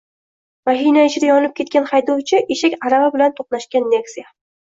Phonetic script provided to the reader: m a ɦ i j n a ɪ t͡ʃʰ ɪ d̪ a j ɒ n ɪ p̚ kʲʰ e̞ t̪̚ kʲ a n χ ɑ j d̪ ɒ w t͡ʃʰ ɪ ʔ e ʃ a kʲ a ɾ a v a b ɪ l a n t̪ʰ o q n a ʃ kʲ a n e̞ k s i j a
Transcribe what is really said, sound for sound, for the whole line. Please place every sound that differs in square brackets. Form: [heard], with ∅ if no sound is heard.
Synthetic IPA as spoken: m a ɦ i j n a ɪ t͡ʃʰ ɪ d̪ a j ɒ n ɪ p̚ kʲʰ e̞ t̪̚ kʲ a n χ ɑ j d̪ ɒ w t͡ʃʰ ɪ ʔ e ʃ a kʲ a ɾ a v a b ɪ l a n t̪ʰ o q n a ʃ kʲ a [nː] e̞ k s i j a